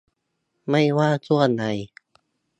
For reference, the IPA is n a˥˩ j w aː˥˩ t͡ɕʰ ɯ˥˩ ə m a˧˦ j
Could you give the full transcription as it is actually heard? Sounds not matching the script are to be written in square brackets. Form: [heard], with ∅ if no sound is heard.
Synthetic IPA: [m] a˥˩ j w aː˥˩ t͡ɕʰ [u˥˩] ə [n] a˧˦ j

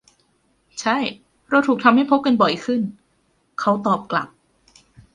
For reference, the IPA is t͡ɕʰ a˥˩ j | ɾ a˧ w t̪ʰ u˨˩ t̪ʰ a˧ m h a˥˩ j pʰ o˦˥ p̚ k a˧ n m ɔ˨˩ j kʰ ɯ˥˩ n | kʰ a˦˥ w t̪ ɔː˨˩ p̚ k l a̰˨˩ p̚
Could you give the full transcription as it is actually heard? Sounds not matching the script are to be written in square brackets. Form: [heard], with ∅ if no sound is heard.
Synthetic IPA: t͡ɕʰ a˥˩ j | ɾ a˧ w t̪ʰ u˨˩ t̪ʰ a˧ m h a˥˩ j pʰ o˦˥ p̚ k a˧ n [b] ɔ˨˩ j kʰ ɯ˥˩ n | kʰ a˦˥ w t̪ ɔː˨˩ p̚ k l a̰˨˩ p̚

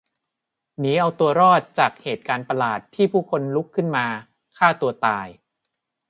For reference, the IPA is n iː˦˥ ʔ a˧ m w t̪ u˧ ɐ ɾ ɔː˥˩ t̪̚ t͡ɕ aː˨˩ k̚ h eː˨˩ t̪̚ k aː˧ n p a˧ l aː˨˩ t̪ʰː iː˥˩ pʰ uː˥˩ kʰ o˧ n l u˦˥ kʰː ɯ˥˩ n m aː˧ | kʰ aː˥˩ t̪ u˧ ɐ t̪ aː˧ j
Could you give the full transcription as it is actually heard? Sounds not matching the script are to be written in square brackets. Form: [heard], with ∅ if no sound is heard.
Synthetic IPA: n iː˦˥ ʔ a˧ [∅] w t̪ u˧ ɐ ɾ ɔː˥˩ t̪̚ t͡ɕ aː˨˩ k̚ h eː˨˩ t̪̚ k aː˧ n p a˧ l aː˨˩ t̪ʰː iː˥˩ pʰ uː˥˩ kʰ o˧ n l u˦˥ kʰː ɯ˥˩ n m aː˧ | kʰ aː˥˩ t̪ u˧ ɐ t̪ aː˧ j

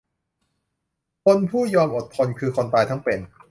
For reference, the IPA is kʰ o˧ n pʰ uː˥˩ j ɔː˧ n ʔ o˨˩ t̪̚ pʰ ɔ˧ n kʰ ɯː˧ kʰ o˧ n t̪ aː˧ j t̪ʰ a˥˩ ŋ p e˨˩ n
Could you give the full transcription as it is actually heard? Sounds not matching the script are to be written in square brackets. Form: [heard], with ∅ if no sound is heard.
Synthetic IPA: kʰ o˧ n pʰ uː˥˩ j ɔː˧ [m] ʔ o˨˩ t̪̚ pʰ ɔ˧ n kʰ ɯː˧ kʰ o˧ n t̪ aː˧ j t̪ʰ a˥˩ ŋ p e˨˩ n

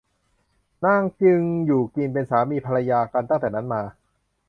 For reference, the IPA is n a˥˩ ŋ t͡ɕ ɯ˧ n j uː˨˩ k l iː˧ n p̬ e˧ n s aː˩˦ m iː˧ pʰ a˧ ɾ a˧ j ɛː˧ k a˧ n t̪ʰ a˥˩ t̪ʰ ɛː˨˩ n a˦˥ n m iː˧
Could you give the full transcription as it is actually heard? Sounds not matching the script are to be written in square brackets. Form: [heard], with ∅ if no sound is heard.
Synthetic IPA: n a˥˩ ŋ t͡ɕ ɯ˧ [ŋ] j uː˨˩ k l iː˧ n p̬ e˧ n s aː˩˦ m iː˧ pʰ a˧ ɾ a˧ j [aː˧] k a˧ n [t̪] a˥˩ [t̪] ɛː˨˩ n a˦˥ n m [aː˧]

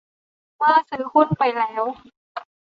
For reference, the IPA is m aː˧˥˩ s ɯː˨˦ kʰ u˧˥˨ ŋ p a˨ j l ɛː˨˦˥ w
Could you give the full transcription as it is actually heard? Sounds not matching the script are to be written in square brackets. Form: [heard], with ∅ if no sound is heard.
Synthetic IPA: m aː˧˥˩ s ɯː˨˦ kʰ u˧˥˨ [n] p a˨ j l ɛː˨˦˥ w

